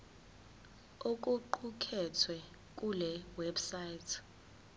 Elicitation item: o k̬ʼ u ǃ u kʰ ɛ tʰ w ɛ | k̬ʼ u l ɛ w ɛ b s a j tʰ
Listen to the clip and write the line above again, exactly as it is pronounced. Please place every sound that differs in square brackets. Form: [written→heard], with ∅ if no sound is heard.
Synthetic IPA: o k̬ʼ u ǃ u kʰ ɛ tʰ w ɛ | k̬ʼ u l ɛ w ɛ b s a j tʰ